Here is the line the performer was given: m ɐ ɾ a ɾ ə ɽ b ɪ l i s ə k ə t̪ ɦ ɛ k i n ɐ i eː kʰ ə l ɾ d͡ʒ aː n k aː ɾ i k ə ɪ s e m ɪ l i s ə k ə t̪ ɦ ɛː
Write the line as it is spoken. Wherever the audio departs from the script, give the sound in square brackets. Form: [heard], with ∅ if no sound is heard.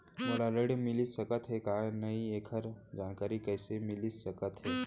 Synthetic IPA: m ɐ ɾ a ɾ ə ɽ [m] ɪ l i s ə k ə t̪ ɦ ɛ k [a] n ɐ i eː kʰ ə [∅] ɾ d͡ʒ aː n k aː ɾ i k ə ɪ s e m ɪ l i s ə k ə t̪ ɦ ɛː